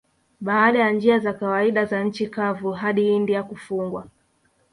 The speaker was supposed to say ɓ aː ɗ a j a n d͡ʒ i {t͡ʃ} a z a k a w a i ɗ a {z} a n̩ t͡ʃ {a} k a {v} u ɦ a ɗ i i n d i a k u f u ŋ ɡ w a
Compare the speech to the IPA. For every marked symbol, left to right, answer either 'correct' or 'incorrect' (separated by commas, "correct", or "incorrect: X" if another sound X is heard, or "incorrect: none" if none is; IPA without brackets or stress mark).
incorrect: none, correct, incorrect: i, correct